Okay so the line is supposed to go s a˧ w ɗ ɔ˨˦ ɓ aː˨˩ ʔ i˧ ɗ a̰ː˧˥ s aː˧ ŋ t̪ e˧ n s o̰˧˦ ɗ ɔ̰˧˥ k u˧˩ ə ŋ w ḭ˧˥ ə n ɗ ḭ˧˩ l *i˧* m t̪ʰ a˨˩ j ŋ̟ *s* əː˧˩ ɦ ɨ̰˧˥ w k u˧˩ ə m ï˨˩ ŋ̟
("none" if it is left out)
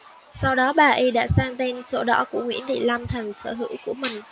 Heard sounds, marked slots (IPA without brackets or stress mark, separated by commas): a˧, s